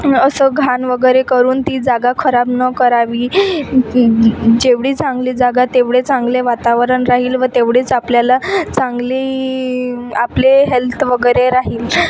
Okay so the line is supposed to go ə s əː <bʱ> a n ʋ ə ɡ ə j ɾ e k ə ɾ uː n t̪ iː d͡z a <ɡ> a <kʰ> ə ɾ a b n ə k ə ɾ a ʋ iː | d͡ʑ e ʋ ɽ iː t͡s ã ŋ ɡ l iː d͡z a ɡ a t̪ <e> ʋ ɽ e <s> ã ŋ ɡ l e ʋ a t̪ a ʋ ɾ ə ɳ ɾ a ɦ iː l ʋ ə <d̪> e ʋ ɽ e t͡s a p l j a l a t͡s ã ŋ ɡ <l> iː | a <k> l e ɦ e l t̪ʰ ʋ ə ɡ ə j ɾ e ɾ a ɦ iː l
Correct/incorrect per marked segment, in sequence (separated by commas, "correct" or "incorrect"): incorrect, correct, correct, correct, incorrect, incorrect, correct, incorrect